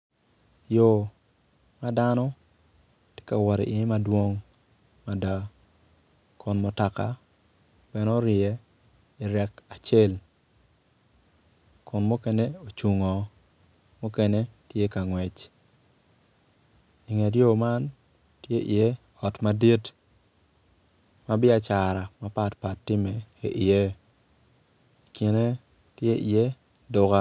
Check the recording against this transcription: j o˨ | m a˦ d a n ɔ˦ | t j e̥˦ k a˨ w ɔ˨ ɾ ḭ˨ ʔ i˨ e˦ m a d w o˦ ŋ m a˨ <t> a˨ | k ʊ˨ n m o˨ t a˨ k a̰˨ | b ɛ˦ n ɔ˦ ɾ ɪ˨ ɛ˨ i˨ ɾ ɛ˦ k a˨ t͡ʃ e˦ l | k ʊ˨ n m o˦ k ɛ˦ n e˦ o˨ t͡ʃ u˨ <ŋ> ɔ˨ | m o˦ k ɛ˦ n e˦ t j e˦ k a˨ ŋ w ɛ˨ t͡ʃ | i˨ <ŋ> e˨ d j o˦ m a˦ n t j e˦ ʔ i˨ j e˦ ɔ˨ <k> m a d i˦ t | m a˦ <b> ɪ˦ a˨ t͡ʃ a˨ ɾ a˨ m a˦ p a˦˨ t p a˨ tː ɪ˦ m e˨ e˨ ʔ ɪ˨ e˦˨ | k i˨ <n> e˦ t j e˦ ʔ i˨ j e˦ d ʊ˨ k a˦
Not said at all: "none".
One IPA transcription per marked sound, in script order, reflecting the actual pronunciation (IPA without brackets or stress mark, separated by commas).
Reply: d, ŋ, ŋ, t, b, n